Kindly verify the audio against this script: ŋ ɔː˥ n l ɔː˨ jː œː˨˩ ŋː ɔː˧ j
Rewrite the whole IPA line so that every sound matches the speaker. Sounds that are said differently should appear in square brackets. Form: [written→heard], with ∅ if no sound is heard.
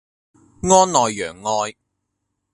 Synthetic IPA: ŋ ɔː˥ n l ɔː˨ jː œː˨˩ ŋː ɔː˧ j